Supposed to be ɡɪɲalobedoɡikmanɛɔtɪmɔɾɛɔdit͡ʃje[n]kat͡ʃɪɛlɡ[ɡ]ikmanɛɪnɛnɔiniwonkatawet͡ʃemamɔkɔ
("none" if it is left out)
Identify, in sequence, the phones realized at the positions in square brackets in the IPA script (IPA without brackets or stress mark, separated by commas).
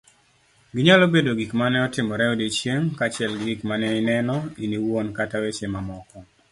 ŋ, ɡ